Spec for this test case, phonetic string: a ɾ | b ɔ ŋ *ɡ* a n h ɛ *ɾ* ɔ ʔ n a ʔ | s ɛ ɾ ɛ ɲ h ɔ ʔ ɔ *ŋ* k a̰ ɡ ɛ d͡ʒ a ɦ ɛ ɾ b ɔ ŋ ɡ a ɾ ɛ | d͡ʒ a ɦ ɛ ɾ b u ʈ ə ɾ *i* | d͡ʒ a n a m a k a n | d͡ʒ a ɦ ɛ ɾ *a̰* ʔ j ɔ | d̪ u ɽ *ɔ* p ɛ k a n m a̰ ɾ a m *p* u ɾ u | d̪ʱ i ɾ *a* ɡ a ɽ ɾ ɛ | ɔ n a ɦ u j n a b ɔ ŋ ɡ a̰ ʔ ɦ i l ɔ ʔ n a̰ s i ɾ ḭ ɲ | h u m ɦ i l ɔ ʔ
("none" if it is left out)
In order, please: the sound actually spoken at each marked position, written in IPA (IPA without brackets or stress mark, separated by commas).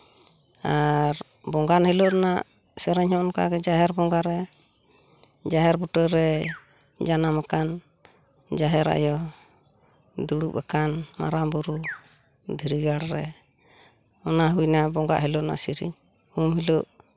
ɡ, l, n, ɛ, a̰, u, b, i